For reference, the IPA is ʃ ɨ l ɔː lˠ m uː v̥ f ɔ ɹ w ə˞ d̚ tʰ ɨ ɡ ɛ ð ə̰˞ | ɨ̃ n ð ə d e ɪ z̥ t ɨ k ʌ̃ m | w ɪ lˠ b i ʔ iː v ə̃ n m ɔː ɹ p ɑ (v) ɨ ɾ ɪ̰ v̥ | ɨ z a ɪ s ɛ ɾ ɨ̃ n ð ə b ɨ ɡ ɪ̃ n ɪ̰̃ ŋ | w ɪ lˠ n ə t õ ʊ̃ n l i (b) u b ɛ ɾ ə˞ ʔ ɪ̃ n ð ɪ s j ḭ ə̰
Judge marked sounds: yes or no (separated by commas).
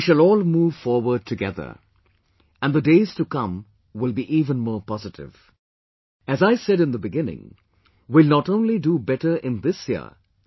no, no